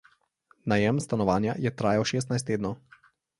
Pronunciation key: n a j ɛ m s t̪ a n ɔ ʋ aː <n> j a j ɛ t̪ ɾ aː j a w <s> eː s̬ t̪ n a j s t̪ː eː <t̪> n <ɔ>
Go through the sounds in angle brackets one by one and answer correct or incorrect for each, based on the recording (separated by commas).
correct, incorrect, incorrect, correct